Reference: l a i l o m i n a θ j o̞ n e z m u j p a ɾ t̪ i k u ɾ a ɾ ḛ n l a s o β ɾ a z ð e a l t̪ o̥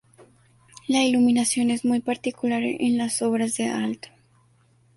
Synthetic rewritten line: l a i l u m i n a s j o̞ n e z m u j p a ɾ t̪ i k u l a ɾ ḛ n l a s o β ɾ a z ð e a l t̪ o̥